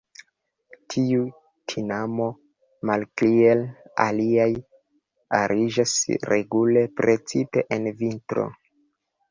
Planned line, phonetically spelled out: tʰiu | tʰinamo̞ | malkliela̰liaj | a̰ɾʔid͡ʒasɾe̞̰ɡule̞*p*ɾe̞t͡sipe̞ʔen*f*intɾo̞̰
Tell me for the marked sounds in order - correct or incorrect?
correct, incorrect

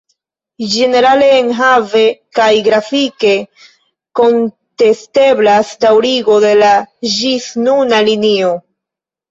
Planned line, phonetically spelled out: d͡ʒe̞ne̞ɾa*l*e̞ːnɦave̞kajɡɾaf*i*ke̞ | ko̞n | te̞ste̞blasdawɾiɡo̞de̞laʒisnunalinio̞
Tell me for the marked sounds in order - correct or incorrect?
correct, correct

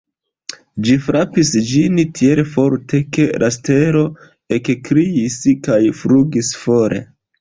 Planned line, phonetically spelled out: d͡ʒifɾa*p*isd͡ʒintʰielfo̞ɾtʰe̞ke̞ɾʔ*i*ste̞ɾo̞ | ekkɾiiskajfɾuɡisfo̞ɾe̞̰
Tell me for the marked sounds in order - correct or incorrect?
correct, incorrect

